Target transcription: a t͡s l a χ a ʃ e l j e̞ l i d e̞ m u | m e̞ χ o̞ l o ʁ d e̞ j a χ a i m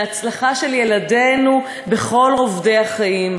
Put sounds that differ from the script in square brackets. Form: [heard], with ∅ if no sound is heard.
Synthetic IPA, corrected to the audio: a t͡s l a χ a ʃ e l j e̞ l [a] d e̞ [n] u | [b] e̞ χ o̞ l o [v] d e̞ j a χ a i m